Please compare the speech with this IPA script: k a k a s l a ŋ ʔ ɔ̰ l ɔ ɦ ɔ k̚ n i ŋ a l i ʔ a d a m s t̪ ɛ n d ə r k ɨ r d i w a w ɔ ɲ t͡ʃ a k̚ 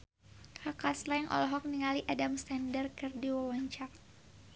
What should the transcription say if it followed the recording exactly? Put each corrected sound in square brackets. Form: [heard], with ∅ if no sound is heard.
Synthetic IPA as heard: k a k a s l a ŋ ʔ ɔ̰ l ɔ ɦ ɔ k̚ n i ŋ a l i ʔ a d a m s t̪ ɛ n d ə r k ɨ r d i w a w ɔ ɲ t͡ʃ a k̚